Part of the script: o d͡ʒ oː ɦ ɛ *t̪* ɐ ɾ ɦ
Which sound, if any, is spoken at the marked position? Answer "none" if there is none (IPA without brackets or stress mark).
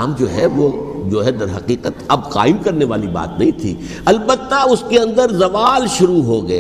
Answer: d̪